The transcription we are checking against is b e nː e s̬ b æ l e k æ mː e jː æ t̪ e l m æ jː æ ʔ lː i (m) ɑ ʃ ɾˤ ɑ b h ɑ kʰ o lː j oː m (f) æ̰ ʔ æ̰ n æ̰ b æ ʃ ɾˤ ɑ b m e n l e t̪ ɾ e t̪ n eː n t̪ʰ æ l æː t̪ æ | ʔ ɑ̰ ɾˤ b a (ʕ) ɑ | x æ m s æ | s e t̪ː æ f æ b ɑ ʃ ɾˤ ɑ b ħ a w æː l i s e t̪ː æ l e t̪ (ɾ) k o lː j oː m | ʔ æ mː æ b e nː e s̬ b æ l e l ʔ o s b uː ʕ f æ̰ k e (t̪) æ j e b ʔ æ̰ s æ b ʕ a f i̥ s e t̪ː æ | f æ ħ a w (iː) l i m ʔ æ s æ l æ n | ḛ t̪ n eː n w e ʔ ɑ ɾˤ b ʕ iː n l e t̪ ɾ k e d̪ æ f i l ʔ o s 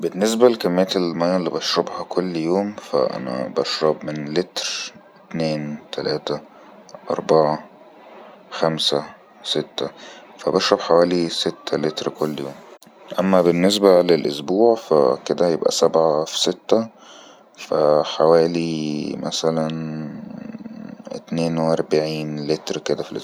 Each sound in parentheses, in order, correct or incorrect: incorrect, correct, correct, correct, incorrect, incorrect

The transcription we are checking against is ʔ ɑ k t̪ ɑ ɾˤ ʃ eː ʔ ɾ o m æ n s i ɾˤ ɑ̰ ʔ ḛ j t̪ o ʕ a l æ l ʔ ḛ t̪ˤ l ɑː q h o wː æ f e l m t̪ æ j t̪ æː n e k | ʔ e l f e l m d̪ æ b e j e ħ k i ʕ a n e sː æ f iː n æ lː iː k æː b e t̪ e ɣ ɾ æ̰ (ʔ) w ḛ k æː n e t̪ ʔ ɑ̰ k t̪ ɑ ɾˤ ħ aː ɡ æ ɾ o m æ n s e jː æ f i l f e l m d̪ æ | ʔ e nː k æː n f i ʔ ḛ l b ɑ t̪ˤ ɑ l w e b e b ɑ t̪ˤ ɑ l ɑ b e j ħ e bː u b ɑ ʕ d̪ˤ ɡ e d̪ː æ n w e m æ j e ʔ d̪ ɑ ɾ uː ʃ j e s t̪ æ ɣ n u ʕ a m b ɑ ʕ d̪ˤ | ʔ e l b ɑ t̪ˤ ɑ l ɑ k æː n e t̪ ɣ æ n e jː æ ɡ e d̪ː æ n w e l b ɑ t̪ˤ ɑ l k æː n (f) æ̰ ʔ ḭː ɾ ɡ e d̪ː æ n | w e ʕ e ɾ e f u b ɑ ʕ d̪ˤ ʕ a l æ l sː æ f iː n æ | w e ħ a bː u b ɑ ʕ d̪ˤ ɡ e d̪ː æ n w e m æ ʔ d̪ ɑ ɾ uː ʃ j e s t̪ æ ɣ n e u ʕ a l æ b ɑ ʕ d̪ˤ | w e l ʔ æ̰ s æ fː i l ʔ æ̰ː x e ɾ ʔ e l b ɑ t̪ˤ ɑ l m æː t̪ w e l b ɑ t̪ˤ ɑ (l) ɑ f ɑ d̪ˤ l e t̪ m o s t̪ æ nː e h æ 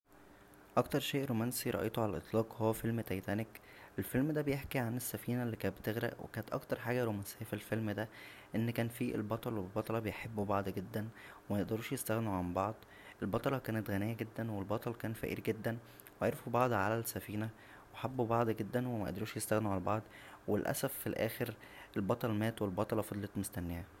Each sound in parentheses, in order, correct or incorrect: correct, correct, correct

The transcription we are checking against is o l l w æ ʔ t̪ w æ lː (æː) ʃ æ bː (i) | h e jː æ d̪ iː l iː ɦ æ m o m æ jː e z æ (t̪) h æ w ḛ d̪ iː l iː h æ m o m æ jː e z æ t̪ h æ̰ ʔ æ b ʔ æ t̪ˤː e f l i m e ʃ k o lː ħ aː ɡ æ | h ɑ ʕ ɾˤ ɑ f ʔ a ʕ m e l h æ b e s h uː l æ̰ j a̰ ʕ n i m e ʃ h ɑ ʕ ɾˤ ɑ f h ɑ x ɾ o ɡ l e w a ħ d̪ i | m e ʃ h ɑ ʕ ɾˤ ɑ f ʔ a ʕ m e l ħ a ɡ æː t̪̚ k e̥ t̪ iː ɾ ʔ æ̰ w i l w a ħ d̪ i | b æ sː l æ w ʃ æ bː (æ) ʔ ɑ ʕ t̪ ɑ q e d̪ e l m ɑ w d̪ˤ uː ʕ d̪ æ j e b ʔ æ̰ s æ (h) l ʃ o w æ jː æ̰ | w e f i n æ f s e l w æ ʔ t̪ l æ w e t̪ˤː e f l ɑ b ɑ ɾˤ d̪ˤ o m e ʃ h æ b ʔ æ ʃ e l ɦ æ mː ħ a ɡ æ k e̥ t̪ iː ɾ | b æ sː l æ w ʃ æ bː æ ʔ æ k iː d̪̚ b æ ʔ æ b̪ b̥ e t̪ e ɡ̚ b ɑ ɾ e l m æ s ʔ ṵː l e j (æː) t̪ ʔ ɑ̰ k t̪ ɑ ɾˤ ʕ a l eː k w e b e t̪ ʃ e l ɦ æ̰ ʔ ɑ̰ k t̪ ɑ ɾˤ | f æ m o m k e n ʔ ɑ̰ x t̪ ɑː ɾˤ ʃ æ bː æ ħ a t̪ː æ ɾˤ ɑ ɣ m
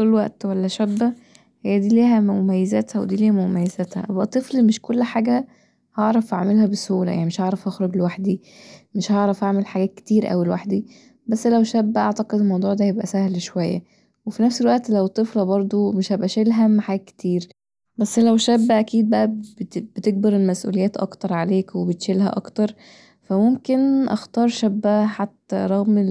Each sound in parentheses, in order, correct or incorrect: incorrect, incorrect, correct, correct, correct, correct

